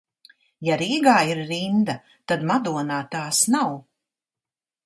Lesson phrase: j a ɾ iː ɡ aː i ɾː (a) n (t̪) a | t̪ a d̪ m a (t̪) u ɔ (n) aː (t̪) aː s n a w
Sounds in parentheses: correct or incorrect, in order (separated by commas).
incorrect, incorrect, incorrect, correct, correct